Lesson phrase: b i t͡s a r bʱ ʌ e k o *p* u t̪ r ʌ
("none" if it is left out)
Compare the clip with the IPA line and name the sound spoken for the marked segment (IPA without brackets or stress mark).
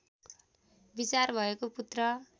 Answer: p